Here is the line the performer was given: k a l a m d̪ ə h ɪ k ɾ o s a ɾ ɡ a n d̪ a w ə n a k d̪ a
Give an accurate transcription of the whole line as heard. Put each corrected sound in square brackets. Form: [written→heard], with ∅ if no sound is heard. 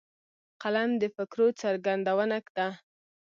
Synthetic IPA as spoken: [k→q] a l a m d̪ ə [h→f] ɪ k ɾ o [s→t͡s] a ɾ ɡ a n d̪ a w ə n a k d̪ a

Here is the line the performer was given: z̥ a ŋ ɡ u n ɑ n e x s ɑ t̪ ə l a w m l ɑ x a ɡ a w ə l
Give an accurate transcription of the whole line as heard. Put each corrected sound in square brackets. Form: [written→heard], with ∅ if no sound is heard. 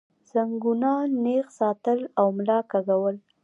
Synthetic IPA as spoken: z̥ a ŋ ɡ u n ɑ n e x s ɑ t̪ ə l a w m l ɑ [x→k] a ɡ a w ə l

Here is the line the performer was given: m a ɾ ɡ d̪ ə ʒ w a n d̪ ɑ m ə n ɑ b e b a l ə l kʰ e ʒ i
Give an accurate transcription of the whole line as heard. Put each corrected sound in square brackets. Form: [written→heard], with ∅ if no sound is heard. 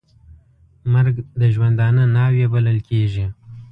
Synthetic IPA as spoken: m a ɾ ɡ d̪ ə ʒ w a n d̪ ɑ [m→n] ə n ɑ [b→w] e b a l ə l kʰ e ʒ i

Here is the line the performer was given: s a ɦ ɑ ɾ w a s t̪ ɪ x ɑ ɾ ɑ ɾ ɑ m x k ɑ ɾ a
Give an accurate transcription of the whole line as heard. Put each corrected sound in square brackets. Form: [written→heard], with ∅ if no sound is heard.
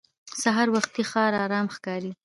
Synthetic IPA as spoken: s a ɦ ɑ ɾ w a [s→x] t̪ [ɪ→i] x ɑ ɾ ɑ ɾ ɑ m x k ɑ ɾ [a→i]

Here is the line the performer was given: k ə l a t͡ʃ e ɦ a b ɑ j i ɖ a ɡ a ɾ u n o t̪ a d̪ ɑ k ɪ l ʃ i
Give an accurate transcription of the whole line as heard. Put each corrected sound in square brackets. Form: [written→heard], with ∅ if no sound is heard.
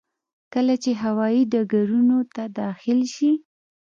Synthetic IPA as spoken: k ə l a t͡ʃ e ɦ a [b→w] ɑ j i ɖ a ɡ a ɾ u n o t̪ a d̪ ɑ [k→x] ɪ l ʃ i

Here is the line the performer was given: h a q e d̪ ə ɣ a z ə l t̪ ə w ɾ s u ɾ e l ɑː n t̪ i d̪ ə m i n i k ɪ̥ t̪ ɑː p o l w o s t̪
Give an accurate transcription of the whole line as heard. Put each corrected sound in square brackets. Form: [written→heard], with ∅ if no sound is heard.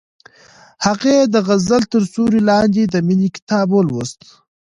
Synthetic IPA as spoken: h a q e d̪ ə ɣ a z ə l t̪ ə [w→∅] ɾ s u ɾ [e→i] l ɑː n [t̪→d̪] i d̪ ə m i n i k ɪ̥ t̪ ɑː [p→b] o l w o s t̪

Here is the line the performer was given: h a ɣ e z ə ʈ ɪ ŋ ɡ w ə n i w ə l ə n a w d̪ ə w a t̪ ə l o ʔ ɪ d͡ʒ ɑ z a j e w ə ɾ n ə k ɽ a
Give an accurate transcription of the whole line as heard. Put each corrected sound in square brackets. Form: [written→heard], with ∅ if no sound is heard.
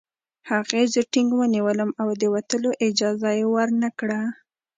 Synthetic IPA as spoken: h a ɣ e z ə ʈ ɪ ŋ ɡ w ə n i w ə l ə [n→m] a w d̪ ə w a t̪ ə l o ʔ ɪ d͡ʒ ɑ z a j e w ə ɾ n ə k ɽ a

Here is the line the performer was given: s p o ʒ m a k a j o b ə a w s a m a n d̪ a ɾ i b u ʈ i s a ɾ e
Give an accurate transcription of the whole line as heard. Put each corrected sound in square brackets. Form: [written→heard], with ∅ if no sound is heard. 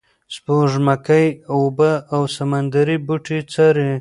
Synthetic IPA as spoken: s p o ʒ m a k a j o b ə a w s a m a n d̪ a ɾ i b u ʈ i [s→t͡s] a ɾ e

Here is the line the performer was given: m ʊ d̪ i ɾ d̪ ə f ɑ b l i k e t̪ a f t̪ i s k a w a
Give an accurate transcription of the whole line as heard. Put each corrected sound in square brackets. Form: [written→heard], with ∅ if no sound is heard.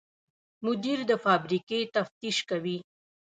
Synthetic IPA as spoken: m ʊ d̪ i ɾ d̪ ə f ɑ b [l→ɾ] i k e t̪ a f t̪ i [s→ʃ] k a w [a→i]

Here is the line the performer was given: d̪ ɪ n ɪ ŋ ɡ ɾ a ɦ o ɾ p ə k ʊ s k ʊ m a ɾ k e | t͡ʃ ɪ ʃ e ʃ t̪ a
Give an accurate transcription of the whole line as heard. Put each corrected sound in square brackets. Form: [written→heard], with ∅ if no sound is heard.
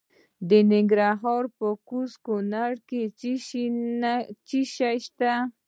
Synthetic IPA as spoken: d̪ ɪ n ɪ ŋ ɡ ɾ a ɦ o ɾ p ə k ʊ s k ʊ [m→n] a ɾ k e | t͡ʃ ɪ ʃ [e→a] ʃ t̪ a

